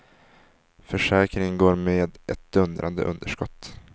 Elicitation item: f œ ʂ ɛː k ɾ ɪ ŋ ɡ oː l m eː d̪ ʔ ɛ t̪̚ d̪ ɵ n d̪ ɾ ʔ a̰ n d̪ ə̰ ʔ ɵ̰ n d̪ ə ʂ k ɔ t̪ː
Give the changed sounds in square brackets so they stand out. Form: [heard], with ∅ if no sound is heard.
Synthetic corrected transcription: f œ ʂ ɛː k ɾ ɪ ŋ ɡ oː [ɾ] m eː d̪ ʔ ɛ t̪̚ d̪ ɵ n d̪ ɾ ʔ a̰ n d̪ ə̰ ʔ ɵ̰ n d̪ ə ʂ k ɔ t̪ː